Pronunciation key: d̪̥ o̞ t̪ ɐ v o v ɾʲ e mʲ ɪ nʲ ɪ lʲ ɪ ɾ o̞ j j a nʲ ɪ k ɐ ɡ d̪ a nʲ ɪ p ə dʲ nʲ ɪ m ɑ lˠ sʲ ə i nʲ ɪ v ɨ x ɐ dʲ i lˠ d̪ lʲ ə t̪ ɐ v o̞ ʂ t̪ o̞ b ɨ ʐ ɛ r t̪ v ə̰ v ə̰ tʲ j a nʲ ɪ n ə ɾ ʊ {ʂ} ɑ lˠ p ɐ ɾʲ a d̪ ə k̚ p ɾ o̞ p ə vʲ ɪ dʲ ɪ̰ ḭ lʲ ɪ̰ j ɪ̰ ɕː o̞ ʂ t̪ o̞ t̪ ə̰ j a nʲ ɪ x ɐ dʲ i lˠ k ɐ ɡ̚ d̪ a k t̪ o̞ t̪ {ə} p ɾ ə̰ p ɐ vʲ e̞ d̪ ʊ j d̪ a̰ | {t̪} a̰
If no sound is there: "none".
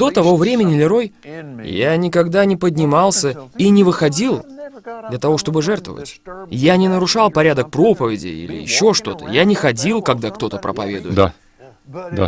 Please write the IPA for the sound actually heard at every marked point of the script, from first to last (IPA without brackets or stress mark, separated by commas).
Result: ʂ, ə, d̪